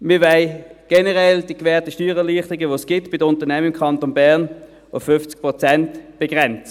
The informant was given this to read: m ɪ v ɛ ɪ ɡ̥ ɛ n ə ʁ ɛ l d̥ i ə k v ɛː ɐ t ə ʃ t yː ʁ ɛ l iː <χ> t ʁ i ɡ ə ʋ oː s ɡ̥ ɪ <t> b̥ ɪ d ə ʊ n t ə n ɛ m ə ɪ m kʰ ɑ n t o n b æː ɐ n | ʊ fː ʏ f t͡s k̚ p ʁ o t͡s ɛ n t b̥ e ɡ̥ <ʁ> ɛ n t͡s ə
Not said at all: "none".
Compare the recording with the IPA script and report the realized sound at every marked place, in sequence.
χ, t, ʁ

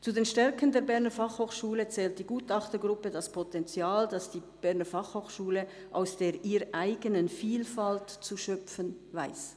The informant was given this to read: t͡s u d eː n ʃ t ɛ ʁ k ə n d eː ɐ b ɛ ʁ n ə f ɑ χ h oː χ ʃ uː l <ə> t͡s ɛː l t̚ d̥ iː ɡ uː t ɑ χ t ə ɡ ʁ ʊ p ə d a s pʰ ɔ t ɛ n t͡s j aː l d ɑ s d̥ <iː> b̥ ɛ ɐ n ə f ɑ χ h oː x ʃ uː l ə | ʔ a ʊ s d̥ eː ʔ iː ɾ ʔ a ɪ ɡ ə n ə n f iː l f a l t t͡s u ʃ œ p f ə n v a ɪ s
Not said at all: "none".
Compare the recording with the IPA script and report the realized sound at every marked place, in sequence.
ə, iː

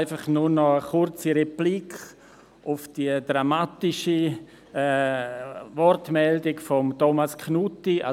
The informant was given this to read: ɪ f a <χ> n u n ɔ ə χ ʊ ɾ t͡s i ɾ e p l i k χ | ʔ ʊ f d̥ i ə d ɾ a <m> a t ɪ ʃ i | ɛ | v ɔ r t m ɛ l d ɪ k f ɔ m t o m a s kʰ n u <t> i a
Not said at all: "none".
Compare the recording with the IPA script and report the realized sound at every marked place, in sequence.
χ, m, t

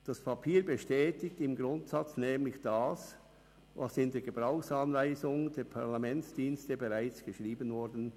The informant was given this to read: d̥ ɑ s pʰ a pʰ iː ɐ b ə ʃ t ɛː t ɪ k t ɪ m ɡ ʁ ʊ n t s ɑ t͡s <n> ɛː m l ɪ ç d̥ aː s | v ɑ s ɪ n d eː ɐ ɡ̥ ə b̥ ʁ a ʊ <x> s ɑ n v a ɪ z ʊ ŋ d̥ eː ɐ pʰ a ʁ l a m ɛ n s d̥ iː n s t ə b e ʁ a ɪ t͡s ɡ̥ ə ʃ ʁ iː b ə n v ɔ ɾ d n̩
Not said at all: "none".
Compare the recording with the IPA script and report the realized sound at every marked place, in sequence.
n, x

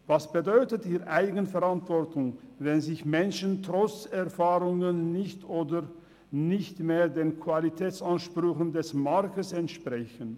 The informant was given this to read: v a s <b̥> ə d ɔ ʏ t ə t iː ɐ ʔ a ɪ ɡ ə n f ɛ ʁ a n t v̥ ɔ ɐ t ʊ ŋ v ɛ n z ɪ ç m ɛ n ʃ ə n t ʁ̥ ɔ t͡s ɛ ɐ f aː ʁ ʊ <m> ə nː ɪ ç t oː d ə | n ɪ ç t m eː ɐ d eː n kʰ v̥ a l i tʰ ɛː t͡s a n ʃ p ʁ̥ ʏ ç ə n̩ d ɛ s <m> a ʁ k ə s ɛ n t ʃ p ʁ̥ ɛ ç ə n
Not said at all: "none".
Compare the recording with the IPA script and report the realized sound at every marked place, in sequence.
b̥, ŋ, m

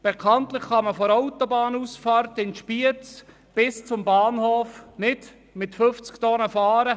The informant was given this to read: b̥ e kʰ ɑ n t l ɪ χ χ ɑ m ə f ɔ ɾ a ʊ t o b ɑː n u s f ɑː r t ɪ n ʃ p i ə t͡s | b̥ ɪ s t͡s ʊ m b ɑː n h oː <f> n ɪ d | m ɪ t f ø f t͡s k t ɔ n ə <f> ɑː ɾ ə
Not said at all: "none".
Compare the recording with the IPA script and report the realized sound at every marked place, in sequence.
f, f

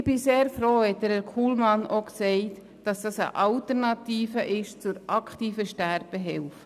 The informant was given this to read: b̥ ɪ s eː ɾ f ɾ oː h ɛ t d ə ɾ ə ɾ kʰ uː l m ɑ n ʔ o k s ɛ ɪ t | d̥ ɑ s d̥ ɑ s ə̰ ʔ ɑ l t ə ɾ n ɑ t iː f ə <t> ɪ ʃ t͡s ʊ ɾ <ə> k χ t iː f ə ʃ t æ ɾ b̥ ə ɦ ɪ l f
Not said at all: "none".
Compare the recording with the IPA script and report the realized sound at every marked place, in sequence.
ʔ, ɑ

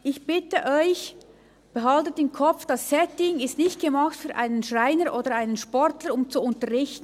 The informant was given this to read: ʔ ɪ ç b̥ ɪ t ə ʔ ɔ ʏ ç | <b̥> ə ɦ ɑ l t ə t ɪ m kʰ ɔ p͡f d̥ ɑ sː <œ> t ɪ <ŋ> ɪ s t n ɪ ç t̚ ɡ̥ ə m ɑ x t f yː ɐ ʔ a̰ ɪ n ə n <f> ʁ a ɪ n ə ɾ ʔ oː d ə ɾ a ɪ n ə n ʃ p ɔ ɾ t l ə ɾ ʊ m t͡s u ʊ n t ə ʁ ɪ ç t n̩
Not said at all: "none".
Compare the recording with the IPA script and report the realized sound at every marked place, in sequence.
b̥, ɛ, ŋ, ʃ

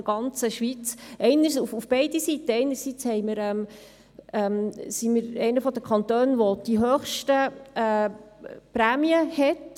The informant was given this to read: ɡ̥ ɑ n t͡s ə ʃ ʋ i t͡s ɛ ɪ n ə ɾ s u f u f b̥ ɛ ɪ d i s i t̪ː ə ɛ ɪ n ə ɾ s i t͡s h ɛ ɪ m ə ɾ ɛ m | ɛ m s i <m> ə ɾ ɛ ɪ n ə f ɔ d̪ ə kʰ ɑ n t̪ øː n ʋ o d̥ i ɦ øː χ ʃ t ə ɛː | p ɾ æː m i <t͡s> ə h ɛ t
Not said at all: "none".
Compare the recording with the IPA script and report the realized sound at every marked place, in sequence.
m, none

